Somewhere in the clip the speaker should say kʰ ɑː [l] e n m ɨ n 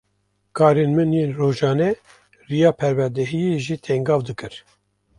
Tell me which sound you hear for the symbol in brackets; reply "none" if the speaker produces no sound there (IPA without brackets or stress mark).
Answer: ɾ